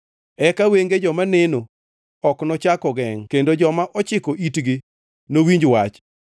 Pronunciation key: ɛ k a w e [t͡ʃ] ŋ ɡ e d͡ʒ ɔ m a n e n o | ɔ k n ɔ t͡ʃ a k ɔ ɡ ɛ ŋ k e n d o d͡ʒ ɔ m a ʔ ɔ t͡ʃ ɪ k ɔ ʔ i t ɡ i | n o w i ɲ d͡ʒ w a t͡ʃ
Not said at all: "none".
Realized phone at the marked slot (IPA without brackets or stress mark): none